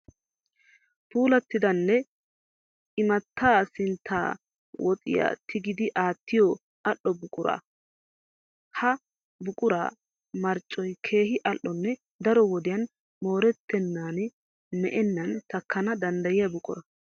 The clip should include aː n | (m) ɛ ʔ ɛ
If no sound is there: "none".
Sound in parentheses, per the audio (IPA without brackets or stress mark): m